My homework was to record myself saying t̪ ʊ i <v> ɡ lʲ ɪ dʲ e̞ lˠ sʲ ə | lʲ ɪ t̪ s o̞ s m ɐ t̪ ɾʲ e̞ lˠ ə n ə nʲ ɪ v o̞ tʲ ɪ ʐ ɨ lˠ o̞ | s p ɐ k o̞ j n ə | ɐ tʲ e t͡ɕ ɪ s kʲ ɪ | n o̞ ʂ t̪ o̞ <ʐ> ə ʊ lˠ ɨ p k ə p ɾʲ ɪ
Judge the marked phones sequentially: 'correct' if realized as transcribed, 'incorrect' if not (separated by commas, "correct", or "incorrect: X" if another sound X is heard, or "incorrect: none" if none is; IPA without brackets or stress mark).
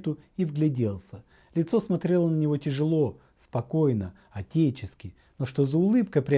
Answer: correct, incorrect: z